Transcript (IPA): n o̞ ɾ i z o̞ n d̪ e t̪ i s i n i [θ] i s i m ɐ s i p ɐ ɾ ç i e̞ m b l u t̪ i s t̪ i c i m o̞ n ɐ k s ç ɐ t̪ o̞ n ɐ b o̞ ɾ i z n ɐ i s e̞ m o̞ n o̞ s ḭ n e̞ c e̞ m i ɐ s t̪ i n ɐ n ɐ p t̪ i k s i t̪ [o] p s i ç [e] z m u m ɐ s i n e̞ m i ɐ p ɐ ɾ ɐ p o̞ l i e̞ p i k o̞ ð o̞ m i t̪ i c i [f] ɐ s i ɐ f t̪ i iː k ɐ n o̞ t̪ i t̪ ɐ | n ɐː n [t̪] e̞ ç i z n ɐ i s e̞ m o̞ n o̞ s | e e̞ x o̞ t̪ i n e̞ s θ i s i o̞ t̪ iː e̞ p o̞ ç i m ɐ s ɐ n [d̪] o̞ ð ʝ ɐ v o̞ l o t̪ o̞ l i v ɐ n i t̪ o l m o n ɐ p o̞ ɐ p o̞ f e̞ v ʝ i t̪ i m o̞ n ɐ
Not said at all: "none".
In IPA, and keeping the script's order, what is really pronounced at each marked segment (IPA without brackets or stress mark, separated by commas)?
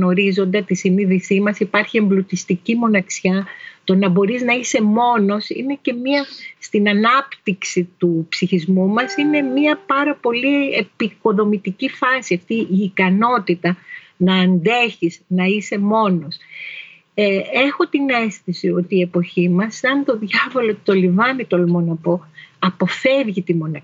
ð, u, i, f, d̪, t̪